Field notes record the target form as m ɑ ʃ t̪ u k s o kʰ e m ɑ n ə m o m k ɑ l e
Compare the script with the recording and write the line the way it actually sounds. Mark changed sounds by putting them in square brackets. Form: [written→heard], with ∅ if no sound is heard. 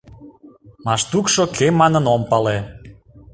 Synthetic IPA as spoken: m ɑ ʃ t̪ u k [s→ʃ] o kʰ e m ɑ n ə [m→n] o m [k→p] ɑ l e